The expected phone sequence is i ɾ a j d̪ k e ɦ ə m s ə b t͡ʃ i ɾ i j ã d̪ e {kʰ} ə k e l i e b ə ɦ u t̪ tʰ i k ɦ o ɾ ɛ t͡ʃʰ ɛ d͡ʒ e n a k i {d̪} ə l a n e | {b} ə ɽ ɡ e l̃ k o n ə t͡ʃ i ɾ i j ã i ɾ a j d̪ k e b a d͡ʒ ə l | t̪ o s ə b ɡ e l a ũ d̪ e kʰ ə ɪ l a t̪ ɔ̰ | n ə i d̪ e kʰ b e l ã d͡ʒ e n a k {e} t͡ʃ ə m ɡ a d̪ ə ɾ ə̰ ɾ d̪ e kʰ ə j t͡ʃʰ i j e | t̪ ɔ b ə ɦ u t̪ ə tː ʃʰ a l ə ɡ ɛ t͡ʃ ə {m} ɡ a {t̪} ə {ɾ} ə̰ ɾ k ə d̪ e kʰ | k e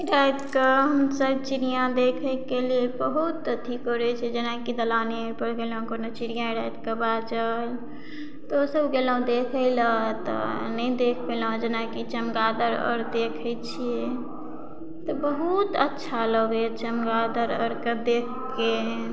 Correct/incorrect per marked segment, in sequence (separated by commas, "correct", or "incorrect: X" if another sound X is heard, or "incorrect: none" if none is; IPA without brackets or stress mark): correct, correct, incorrect: p, incorrect: i, correct, incorrect: d̪, correct